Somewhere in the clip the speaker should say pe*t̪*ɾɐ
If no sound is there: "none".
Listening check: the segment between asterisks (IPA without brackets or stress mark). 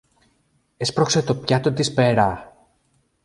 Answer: none